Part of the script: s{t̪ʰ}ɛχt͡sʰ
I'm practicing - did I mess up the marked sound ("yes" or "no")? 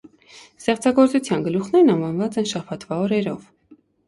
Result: yes